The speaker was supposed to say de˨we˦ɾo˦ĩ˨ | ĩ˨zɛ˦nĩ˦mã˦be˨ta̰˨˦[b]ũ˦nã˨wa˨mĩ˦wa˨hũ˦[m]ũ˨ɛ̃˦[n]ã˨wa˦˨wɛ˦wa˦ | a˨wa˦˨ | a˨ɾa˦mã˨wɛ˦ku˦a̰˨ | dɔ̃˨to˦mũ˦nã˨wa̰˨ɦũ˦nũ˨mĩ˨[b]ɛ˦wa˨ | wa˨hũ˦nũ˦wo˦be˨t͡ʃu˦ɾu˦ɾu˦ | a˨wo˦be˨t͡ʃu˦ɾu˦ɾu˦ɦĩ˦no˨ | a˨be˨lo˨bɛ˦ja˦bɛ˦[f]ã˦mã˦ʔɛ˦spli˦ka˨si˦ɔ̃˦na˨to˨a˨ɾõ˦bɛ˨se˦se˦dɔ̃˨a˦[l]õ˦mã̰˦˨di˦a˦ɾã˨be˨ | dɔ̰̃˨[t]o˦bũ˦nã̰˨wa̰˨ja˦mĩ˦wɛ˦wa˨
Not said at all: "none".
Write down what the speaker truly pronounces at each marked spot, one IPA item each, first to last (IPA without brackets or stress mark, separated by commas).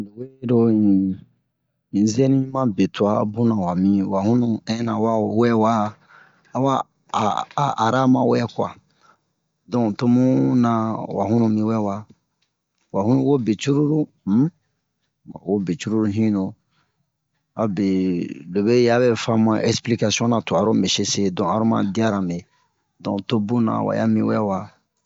b, n, n, w, f, ɾ, t